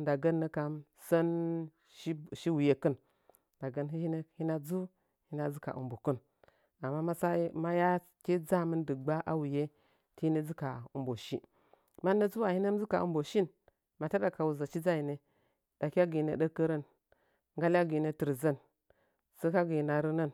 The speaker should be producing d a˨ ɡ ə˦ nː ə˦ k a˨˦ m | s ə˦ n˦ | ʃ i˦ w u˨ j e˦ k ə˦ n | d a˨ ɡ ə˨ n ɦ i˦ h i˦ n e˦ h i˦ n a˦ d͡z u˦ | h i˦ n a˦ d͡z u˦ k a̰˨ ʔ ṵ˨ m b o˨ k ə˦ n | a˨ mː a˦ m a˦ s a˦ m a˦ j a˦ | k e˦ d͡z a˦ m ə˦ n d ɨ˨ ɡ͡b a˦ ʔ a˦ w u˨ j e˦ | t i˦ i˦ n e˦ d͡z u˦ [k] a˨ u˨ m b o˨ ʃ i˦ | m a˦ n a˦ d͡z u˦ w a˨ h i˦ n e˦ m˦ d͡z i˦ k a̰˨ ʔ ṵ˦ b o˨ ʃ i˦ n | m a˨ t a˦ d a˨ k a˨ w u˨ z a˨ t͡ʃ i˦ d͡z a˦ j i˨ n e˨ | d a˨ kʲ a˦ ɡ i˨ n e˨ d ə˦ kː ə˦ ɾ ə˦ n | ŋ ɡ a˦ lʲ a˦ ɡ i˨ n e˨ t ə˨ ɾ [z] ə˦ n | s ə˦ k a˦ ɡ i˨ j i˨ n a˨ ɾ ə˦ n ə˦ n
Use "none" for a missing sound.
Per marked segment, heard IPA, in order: k, z

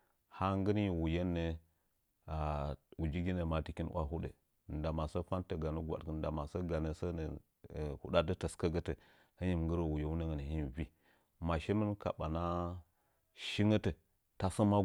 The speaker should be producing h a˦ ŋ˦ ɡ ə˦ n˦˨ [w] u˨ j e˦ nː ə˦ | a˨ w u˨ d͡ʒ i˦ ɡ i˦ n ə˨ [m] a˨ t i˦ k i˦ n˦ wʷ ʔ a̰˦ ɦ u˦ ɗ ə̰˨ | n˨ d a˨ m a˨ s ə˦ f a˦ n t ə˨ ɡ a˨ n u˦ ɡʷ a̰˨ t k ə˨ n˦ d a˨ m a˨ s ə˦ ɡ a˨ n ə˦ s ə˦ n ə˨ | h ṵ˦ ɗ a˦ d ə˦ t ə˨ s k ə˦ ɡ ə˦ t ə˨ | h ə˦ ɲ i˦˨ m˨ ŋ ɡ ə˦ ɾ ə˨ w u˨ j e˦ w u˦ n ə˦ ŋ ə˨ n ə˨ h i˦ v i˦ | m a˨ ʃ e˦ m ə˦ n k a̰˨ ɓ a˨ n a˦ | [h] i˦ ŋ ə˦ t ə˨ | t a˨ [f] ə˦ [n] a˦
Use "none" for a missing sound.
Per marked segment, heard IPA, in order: w, m, ʃ, s, m

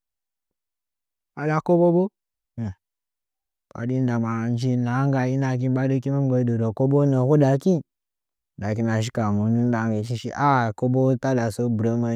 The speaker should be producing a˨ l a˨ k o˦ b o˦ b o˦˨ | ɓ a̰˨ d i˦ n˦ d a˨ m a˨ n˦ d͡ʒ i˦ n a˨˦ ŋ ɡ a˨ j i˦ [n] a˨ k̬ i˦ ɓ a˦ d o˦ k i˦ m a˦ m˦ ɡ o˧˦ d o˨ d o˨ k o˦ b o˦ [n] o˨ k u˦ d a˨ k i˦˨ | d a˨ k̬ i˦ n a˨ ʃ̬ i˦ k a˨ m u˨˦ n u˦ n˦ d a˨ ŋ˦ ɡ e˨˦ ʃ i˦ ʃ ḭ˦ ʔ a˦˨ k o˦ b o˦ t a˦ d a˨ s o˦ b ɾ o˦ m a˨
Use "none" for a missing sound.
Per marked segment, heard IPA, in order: n, n

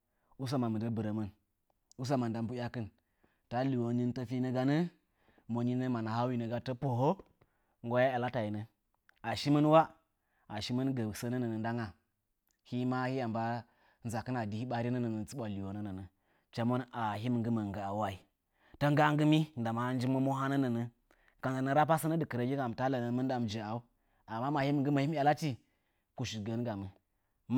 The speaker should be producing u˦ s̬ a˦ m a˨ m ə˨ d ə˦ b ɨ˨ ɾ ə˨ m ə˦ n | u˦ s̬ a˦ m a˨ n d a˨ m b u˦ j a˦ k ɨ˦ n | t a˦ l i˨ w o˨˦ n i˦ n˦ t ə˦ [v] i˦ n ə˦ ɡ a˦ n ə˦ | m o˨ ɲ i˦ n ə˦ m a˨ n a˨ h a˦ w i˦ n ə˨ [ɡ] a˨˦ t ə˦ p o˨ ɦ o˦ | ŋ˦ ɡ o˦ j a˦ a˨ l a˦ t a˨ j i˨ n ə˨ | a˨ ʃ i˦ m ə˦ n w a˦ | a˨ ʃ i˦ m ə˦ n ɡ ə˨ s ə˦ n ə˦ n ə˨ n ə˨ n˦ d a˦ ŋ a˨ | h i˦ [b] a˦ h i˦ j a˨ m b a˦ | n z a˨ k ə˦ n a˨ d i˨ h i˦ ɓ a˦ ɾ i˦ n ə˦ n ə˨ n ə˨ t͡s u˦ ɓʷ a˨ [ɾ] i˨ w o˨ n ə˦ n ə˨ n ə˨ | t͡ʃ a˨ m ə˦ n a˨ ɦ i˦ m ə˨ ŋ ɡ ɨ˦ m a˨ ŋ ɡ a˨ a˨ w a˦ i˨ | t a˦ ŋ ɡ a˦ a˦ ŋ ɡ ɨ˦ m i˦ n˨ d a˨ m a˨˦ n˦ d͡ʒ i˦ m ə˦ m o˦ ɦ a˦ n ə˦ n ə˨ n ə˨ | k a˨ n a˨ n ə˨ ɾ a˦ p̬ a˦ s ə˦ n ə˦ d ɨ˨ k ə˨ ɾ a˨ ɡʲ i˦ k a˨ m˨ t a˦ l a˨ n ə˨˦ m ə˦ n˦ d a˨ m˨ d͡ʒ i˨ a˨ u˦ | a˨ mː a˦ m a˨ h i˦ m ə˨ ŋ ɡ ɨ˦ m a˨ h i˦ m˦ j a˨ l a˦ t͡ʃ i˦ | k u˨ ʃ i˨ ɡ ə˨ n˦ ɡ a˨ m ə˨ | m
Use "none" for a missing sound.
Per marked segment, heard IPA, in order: f, ɡ, m, l

